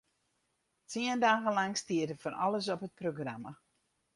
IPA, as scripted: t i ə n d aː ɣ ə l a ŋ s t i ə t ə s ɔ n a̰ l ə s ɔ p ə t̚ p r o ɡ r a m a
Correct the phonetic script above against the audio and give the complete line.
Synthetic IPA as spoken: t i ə n d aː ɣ ə l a ŋ s t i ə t ə f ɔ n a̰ l ə s ɔ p ə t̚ p r o ɡ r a m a